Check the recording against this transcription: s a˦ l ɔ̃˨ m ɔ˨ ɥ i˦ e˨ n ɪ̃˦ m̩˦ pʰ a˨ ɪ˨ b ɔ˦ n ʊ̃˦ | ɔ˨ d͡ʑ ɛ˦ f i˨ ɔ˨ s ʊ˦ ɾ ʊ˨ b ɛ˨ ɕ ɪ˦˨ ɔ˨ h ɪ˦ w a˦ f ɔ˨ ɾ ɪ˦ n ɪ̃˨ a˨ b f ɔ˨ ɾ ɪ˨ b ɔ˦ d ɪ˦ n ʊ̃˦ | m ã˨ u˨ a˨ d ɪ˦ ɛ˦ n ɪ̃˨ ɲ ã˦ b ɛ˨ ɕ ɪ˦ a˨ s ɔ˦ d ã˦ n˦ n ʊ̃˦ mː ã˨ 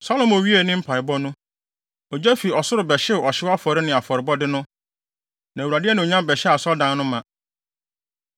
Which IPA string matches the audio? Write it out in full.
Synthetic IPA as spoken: s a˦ l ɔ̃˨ m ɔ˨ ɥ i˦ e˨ n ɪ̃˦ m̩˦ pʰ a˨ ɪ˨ b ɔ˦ n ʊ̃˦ | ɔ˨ d͡ʑ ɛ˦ f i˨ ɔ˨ s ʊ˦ ɾ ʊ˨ b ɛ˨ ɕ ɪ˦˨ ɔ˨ ɕ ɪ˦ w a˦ f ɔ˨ ɾ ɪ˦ n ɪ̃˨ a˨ f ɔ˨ ɾ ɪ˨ b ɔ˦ d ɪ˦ n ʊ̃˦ | n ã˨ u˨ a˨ d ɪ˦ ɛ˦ n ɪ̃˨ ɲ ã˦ b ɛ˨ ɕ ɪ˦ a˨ s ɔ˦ d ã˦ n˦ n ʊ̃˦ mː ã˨

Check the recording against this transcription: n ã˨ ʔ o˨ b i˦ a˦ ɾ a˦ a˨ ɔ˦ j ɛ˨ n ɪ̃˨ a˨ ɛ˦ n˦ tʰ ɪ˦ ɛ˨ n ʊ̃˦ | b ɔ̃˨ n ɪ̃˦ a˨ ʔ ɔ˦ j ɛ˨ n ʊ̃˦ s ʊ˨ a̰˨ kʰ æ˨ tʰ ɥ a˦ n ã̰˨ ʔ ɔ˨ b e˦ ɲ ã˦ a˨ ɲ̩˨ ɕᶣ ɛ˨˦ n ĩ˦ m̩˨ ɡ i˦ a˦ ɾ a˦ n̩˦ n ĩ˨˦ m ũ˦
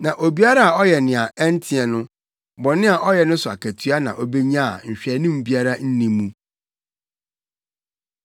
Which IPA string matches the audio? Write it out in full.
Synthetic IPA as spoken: n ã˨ ʔ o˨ b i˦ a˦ ɾ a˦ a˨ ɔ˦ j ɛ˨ n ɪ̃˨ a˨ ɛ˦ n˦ tʰ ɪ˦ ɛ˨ n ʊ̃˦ | b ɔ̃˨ n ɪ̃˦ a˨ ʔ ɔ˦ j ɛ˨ n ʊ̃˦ s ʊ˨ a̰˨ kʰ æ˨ tʰ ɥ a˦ n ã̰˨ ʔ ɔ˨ b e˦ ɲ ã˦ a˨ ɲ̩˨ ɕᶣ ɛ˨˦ n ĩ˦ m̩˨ b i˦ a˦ ɾ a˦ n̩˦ n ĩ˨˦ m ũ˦

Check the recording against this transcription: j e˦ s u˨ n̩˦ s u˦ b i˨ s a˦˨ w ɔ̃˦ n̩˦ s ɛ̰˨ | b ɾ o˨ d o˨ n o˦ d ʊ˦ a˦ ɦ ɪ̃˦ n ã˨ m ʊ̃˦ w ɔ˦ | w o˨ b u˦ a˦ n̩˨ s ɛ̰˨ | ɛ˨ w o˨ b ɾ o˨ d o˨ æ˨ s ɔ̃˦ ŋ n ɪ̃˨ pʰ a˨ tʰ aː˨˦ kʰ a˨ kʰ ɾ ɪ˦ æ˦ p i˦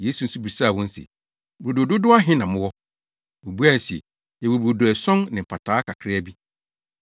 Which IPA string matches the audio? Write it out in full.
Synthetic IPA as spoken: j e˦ s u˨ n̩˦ s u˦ b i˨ s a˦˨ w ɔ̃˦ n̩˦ s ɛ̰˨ | b ɾ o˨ d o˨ d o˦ d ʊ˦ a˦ ɦ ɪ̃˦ n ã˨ m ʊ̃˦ w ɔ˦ | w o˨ b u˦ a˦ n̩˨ s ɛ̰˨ | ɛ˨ w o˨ b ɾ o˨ d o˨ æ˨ s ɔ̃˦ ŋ n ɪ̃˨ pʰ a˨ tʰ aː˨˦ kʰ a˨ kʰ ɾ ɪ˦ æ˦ b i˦

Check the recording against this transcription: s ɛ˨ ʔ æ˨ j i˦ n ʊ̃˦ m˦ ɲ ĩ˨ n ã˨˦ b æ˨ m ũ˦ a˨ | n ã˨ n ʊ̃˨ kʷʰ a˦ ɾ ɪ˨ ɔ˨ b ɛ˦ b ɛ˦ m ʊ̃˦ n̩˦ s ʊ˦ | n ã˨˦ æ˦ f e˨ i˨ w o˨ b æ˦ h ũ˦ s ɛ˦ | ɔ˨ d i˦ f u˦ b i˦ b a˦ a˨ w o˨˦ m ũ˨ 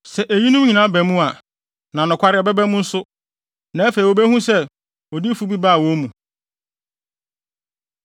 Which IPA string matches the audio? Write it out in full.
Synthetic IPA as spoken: s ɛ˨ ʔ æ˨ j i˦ n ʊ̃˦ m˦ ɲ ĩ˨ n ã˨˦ b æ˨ m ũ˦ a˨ | n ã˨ n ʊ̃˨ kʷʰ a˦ ɾ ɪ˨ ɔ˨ b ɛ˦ b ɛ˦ m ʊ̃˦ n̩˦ s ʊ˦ | n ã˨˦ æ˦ f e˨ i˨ w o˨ b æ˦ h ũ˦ s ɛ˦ | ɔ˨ d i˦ f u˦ b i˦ b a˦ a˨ w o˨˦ m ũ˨

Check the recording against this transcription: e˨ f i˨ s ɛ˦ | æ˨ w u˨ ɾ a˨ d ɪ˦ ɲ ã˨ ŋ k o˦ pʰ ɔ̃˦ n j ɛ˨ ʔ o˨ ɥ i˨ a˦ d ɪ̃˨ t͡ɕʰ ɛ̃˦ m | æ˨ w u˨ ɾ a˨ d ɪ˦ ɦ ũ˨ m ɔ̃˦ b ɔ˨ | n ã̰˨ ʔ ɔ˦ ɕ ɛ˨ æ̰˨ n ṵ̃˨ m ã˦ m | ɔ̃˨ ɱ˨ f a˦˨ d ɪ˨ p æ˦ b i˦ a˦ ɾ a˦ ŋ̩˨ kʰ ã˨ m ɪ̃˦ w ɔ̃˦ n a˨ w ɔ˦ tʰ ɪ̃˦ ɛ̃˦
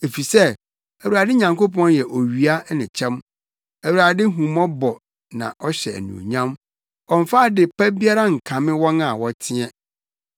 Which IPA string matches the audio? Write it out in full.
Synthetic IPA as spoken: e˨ f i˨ s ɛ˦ | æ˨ w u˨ ɾ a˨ d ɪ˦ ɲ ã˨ ŋ k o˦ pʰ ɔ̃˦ n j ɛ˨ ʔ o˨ ɥ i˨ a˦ n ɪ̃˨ t͡ɕʰ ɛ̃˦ m | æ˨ w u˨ ɾ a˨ d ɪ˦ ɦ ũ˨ m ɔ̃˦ b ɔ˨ | n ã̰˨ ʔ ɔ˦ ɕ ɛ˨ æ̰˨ n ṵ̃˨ ɲ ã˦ m | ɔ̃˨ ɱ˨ f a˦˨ d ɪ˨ p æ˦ b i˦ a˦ ɾ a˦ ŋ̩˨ kʰ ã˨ m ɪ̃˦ w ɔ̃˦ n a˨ w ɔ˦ tʰ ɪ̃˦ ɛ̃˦

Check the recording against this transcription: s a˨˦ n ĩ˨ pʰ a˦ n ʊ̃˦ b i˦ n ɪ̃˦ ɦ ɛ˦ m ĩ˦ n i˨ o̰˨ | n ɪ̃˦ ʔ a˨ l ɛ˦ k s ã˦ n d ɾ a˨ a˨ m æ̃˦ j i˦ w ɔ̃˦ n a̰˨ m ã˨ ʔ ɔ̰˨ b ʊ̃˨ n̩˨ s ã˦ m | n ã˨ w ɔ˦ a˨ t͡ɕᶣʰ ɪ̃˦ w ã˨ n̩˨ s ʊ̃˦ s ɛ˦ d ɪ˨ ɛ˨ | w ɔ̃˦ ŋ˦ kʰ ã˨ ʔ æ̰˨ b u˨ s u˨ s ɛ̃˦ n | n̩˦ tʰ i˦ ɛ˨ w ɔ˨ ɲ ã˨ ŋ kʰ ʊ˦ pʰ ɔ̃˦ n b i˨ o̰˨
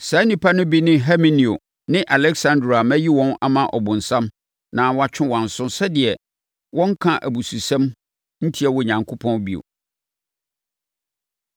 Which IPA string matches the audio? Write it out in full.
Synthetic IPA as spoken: s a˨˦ n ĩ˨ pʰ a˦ n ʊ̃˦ b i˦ n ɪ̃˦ ɦ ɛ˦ m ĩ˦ n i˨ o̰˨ | n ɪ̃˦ ʔ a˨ l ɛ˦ k s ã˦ n d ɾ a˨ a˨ m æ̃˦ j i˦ w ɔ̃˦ n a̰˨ m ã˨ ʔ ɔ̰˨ b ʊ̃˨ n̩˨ s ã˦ m | n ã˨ w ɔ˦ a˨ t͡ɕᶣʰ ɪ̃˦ w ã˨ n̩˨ s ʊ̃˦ s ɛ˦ d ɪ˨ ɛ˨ | w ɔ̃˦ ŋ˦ kʰ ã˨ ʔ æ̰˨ b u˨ s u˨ s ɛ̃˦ m | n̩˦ tʰ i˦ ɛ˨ w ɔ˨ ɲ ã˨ ŋ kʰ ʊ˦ pʰ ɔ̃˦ n b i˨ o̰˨

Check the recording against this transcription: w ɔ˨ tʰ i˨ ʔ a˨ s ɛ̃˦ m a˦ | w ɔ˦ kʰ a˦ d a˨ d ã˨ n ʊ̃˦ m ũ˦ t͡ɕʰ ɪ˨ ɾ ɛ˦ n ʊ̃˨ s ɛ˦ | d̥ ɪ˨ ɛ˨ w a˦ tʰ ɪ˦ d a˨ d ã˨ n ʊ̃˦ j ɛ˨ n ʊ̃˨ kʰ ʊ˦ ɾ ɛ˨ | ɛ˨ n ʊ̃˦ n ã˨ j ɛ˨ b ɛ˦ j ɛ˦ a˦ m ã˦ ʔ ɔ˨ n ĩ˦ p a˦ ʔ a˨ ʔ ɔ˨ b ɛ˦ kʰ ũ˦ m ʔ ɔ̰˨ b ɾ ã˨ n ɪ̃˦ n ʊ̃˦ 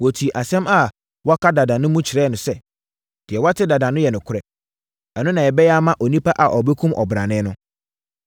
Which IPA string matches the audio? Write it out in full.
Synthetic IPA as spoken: w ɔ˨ tʰ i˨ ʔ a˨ s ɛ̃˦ m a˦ | w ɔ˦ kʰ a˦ d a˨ d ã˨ n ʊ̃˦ m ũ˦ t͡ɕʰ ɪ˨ ɾ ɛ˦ n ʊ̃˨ s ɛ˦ | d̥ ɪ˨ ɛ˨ w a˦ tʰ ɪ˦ d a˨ d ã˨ n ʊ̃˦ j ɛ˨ n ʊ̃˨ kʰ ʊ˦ ɾ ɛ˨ | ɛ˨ n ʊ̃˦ n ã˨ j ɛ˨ b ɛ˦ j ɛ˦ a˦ m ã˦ ʔ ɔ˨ n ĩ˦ p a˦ ʔ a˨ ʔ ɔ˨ b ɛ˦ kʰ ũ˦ m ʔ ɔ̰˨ b ɾ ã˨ n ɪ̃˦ n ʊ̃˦

